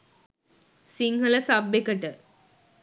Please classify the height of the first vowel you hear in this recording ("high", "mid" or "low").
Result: high